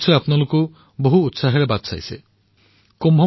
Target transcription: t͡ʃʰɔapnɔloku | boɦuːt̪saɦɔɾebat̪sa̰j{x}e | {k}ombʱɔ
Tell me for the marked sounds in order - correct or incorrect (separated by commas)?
incorrect, correct